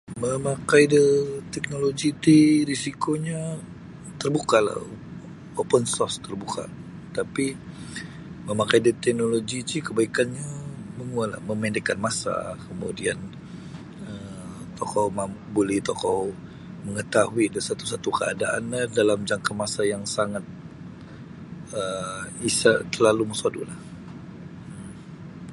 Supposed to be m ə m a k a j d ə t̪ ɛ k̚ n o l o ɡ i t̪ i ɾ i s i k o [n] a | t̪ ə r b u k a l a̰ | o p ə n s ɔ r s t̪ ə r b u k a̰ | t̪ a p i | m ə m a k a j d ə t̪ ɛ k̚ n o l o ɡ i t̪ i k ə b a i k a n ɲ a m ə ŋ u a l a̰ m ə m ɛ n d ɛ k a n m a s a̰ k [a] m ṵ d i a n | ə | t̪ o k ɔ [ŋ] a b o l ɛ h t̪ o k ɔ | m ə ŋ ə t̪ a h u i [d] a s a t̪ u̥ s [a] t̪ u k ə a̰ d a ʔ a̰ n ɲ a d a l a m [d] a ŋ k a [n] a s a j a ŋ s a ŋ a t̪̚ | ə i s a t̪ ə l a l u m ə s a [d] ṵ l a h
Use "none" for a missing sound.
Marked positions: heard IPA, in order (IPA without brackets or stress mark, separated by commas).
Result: ɲ, ə, m, d, a, d͡ʒ, m, d